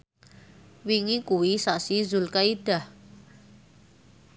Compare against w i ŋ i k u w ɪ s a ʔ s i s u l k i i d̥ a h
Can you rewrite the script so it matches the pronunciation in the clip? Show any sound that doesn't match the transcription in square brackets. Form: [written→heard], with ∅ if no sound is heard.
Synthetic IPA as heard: w i ŋ i k u w [ɪ→i] s a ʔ s i [s→z] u l k [i→a] i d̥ a h

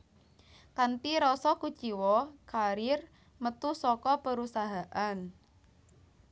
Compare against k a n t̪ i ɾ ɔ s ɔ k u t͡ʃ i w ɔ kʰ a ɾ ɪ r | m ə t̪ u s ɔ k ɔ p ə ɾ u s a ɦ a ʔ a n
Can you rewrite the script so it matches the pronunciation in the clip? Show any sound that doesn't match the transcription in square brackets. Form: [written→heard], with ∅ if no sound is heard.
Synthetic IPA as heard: k a n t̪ i ɾ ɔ s ɔ k u t͡ʃ i w ɔ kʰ a ɾ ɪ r | m ə t̪ u s ɔ k ɔ p ə ɾ u s a ɦ a ʔ a n

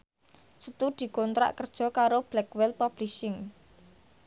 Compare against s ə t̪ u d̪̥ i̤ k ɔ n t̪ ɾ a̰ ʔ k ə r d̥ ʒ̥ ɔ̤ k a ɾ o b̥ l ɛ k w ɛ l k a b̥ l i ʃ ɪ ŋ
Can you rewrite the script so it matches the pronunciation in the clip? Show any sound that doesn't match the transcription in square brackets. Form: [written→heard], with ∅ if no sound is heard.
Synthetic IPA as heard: s ə t̪ u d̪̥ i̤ k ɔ n t̪ ɾ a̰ ʔ k ə r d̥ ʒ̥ ɔ̤ k a ɾ o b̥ l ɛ k w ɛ l [k→p] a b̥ l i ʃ ɪ ŋ

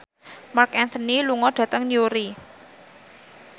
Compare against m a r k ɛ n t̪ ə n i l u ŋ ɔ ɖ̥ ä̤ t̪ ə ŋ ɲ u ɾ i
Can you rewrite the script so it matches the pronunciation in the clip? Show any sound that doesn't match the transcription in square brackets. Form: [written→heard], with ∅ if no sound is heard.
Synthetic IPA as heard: m a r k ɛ n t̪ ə n i l u ŋ ɔ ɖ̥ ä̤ t̪ ə ŋ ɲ u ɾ i

